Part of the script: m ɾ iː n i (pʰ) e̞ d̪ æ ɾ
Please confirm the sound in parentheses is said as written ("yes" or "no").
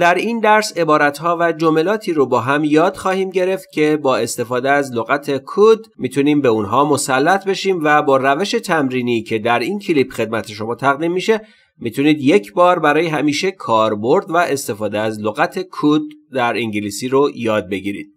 no